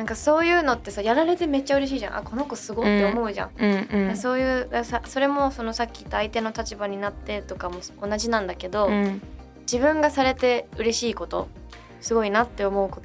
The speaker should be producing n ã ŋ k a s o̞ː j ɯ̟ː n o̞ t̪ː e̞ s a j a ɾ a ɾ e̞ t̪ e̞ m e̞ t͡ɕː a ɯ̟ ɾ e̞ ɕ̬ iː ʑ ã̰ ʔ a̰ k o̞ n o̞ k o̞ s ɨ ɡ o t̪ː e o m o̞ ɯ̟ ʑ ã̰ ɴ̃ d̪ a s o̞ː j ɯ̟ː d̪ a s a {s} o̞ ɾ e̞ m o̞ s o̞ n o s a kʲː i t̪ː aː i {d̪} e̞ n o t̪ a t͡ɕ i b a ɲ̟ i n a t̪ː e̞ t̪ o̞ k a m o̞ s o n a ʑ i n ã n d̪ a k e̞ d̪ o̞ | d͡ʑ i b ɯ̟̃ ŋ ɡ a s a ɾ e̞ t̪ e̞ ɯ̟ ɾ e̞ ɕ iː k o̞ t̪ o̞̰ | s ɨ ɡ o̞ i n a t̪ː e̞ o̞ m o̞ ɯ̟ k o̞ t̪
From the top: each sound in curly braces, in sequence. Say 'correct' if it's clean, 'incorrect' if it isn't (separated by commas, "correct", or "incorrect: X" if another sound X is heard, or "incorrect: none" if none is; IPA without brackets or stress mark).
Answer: correct, incorrect: t̪